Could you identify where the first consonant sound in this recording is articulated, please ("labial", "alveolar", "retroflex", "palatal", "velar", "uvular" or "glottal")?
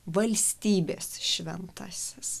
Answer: labial